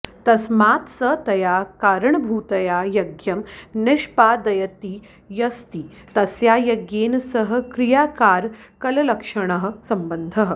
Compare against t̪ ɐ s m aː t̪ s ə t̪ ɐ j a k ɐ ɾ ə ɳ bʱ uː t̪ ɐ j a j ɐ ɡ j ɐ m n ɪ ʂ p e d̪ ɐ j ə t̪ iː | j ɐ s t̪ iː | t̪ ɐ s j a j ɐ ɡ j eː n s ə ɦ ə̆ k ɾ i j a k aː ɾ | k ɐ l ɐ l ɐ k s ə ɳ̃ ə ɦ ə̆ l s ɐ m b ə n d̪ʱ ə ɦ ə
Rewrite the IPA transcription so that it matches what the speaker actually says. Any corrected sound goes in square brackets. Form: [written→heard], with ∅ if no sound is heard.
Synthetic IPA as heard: t̪ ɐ s m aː t̪ s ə t̪ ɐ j a k [ɐ→a] ɾ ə ɳ bʱ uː t̪ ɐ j a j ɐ ɡ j ɐ m n ɪ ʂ p [e→a] d̪ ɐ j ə t̪ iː | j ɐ s t̪ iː | t̪ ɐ s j a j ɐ ɡ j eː n s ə ɦ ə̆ k ɾ i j a k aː ɾ | k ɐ l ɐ l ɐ k [s→ʂ] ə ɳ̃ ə ɦ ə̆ [l→∅] s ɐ m b ə n d̪ʱ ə ɦ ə